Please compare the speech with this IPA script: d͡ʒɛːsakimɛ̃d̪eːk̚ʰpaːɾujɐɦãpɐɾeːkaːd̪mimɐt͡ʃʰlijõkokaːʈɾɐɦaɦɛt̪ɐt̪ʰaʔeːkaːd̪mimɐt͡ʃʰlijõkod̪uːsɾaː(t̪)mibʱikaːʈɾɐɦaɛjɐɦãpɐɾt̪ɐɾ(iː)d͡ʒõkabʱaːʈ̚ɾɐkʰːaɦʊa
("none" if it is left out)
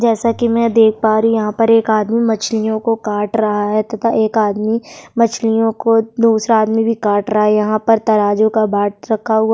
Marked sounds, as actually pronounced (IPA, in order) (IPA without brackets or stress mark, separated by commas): d̪, aː